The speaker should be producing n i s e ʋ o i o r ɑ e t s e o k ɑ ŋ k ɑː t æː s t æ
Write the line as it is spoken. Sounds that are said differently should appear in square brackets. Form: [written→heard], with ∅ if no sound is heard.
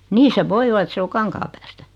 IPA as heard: n [i→iː] s e ʋ o i o [r→l] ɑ e t s e o k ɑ ŋ k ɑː [t→p] æː s t æ